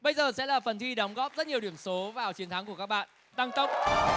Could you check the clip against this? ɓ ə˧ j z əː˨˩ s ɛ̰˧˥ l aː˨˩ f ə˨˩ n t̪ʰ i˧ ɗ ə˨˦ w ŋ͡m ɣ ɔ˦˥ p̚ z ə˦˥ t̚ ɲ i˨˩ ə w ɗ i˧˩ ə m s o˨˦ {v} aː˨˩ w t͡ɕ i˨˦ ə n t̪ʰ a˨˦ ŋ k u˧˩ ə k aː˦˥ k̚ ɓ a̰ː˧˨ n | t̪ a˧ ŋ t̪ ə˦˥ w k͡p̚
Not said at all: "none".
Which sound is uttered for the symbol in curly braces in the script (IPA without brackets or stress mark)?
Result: v